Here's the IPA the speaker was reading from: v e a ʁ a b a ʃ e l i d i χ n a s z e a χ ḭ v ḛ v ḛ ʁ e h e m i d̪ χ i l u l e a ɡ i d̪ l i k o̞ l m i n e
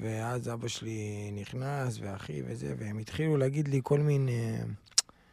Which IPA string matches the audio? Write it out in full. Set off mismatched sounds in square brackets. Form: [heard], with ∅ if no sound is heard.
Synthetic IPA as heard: v e a [z] a b a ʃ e l i [n] i χ n a s [v] e a χ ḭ v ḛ [z] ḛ [v] e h e m i [t̪] χ i l u l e a ɡ i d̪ l i k o̞ l m i n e